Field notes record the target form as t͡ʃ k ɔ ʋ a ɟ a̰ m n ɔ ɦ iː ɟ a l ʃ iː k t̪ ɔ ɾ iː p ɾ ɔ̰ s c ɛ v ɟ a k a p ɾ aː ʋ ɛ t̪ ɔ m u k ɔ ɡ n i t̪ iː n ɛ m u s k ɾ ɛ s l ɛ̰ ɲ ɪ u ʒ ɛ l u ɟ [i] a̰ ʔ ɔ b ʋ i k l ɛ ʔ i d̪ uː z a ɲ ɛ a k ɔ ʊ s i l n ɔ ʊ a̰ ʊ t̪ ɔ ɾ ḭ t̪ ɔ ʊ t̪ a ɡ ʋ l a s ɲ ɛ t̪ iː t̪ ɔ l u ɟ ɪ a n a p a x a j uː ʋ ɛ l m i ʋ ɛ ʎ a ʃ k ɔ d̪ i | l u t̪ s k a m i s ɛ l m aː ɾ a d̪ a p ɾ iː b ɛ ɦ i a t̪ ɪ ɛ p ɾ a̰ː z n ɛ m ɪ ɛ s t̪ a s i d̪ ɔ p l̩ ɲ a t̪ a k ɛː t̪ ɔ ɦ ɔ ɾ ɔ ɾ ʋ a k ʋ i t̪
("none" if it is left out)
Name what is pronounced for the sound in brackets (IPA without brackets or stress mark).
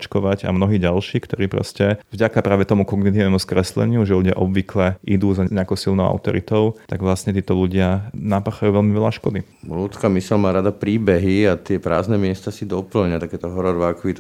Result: ɪ